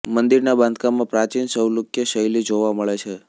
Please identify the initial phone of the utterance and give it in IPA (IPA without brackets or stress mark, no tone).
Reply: m